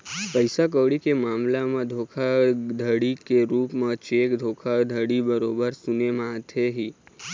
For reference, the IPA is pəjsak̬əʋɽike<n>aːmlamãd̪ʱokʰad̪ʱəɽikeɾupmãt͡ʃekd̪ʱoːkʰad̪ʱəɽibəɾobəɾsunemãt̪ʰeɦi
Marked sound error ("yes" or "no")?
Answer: yes